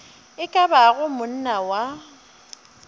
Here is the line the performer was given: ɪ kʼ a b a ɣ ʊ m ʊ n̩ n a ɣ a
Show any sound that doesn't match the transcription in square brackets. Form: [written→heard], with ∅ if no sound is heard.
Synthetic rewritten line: ɪ kʼ a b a ɣ ʊ m ʊ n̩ n a [ɣ→w] a

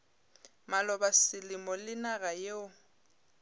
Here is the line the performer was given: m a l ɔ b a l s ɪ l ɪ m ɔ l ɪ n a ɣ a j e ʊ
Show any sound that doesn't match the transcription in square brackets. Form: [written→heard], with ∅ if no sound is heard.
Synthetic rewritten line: m a l ɔ b a [l→∅] s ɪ l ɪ m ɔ l ɪ n a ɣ a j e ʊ

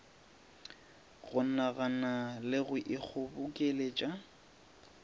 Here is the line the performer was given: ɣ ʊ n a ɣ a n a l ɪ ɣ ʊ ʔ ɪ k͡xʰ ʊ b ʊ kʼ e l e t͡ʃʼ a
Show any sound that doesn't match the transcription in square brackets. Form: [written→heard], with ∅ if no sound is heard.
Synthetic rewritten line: ɣ ʊ n a ɣ a n a l ɪ ɣ ʊ ʔ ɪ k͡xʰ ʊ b ʊ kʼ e l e t͡ʃʼ a

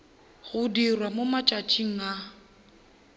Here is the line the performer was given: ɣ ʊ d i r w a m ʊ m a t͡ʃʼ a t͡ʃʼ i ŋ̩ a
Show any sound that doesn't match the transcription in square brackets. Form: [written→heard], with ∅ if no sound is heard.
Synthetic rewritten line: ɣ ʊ d i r w a m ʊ m a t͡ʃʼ a t͡ʃʼ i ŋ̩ a

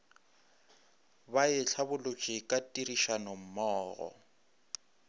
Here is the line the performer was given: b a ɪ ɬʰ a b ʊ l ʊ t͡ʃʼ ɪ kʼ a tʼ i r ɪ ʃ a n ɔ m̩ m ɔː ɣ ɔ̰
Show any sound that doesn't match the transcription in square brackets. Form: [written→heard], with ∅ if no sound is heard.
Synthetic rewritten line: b a ɪ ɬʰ a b ʊ l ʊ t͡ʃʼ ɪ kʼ a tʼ i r [ɪ→i] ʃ a n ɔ m̩ m ɔː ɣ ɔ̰

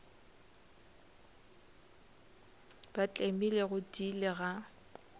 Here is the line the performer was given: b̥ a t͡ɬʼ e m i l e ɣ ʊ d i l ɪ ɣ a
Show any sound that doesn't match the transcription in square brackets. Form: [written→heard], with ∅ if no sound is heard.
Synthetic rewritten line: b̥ a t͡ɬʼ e m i l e ɣ ʊ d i l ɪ ɣ a

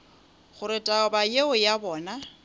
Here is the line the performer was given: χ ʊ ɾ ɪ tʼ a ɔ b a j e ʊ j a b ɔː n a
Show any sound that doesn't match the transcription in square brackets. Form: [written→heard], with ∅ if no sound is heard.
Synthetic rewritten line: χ ʊ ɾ ɪ tʼ a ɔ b a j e ʊ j a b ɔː n a

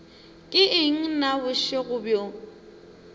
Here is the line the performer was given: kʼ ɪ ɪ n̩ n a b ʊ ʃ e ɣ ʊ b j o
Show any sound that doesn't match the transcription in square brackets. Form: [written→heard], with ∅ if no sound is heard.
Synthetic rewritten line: kʼ ɪ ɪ [n̩→ŋ̩] n a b ʊ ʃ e ɣ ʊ b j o

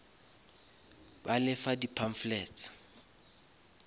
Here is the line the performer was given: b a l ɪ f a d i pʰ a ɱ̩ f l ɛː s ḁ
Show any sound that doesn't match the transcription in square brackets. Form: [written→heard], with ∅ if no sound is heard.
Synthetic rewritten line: b a l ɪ f a d i pʰ a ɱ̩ f l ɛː [s→t͡s] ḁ

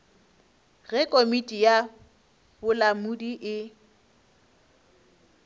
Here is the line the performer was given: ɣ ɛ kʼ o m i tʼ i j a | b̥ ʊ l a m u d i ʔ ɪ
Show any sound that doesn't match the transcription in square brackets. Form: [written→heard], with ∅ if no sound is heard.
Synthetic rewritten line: ɣ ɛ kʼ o m i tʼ i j a | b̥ ʊ l a m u d i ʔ ɪ

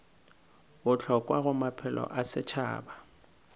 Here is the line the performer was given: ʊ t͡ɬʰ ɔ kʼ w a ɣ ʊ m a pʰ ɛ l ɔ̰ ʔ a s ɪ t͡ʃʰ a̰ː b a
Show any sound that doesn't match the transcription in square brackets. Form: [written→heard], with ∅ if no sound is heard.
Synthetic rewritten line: ʊ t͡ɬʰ ɔ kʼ w a ɣ ʊ m a pʰ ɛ l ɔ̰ ʔ a s ɪ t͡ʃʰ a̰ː b a

